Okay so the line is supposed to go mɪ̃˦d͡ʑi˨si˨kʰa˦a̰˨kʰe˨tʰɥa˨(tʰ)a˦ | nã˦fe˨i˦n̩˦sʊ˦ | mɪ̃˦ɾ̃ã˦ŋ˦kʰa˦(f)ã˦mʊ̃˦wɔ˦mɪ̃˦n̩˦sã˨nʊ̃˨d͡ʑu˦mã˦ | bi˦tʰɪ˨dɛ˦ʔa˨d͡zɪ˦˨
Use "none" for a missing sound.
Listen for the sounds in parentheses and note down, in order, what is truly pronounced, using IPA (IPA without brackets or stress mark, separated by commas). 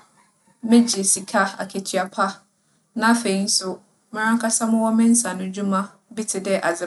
pʰ, s